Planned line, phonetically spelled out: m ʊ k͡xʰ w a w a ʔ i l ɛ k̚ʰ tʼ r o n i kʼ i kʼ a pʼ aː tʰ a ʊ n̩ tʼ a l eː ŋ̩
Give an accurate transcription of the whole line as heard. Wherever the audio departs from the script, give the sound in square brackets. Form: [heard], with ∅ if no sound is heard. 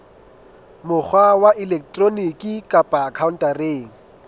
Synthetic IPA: m ʊ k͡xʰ w a w a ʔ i l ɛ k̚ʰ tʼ r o n i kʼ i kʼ a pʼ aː [kʰ] a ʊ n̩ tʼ a [r] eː ŋ̩